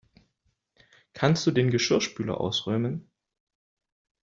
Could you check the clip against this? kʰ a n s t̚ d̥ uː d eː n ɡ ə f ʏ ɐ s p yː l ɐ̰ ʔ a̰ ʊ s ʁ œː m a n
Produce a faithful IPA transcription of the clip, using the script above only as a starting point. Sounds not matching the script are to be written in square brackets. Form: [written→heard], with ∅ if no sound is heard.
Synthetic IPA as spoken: kʰ a n s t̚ d̥ uː d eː n ɡ ə [f→ʃ] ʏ ɐ [s→ʃ] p yː l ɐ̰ ʔ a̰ ʊ s ʁ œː m [a→ə] n